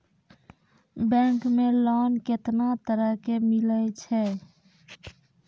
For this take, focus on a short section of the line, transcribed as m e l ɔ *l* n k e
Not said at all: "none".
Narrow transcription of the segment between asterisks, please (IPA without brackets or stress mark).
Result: none